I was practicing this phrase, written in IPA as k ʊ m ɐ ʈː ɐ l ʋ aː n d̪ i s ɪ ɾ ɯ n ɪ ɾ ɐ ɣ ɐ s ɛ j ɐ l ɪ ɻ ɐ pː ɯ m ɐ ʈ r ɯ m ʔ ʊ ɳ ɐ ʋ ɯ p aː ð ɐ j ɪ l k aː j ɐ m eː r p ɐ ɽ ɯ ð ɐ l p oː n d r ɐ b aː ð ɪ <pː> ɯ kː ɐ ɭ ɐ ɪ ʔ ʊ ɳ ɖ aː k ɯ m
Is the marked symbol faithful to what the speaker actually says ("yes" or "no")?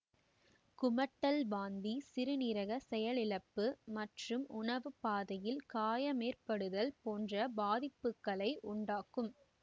yes